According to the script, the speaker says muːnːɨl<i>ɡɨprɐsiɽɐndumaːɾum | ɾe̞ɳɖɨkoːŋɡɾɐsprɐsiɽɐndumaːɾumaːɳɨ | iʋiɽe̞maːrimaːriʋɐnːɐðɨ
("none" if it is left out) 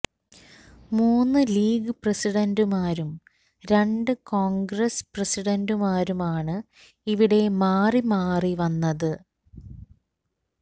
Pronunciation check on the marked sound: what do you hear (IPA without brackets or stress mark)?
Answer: iː